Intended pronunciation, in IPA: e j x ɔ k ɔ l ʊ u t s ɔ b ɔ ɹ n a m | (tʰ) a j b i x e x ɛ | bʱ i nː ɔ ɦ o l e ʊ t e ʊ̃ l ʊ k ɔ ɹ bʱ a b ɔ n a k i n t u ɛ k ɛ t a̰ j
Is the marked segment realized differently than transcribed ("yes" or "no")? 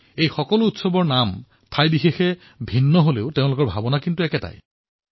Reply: no